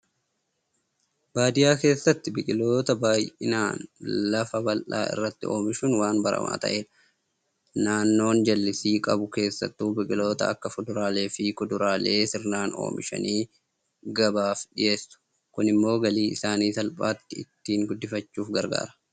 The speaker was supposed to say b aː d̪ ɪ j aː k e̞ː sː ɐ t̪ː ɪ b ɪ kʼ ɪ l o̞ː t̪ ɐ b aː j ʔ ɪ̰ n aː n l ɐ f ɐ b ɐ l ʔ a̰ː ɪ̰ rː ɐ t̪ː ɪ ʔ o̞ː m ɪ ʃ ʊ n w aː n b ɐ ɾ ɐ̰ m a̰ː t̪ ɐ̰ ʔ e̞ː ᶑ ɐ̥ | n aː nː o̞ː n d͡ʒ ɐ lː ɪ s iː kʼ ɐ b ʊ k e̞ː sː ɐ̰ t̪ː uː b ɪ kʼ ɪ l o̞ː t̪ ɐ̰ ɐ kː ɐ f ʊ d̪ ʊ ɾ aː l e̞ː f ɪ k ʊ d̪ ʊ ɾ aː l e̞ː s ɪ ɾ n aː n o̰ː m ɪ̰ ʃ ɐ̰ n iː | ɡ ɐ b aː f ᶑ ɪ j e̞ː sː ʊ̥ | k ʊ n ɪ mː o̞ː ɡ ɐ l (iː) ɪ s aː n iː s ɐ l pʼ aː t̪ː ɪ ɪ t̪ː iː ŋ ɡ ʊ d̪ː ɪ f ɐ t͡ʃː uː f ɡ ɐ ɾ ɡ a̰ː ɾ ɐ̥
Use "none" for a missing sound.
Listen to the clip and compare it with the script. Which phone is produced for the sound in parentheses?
iː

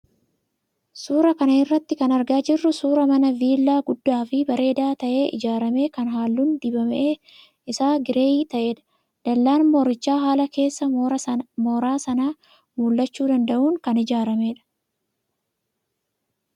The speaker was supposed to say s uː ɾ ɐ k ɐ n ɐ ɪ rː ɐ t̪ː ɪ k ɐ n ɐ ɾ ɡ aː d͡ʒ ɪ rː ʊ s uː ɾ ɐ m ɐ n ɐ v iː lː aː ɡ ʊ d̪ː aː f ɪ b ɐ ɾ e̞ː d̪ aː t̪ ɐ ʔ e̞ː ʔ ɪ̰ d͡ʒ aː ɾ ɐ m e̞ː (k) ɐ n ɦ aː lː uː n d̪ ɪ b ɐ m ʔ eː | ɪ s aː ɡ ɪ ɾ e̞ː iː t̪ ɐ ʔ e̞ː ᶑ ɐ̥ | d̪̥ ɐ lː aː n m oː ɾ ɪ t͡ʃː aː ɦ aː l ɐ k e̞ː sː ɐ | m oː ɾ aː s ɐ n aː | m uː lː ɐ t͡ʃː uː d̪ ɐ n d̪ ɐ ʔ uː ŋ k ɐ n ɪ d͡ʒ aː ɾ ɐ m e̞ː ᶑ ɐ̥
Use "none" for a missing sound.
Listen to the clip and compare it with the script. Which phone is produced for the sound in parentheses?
k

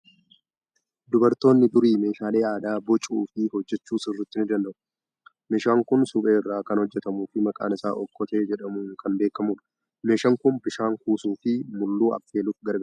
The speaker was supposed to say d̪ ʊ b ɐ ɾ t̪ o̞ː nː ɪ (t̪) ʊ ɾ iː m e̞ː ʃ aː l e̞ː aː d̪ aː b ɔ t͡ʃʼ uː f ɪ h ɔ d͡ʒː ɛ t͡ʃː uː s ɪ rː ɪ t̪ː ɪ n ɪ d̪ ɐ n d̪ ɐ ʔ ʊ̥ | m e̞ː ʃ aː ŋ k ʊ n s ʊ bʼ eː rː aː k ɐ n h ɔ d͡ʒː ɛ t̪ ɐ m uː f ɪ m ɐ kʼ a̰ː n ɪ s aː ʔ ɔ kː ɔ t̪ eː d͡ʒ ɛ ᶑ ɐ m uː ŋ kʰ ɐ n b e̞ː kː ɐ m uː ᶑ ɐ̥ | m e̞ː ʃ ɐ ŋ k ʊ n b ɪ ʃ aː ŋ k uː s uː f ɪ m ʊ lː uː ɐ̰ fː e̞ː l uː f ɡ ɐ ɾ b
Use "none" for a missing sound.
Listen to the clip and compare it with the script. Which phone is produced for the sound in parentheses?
d̪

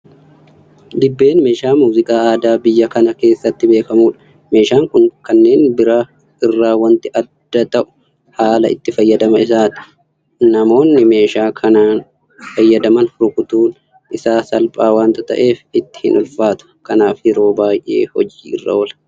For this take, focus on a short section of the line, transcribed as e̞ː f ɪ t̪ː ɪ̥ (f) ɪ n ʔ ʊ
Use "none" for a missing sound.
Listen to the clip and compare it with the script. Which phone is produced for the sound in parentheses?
h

